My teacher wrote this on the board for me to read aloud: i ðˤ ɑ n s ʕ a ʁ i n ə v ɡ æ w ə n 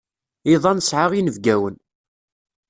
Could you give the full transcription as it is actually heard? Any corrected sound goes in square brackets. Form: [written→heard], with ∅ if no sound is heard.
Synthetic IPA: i ðˤ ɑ n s ʕ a ʁ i n ə v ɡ æ w ə n